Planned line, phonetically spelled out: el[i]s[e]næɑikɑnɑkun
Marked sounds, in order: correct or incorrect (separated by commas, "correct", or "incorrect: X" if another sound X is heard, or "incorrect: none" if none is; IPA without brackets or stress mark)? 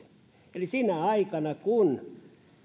correct, incorrect: i